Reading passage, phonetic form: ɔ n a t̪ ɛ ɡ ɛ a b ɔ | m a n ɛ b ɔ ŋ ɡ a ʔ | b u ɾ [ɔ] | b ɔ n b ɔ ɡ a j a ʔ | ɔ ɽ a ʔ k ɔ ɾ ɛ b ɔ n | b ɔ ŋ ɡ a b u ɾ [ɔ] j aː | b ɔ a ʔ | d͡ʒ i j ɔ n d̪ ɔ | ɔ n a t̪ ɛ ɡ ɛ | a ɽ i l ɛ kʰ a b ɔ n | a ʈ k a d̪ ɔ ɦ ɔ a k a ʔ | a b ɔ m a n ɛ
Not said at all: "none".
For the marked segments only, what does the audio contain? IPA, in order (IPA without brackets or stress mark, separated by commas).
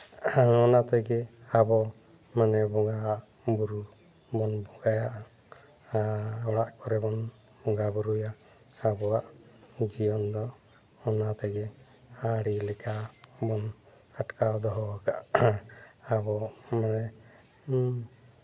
u, u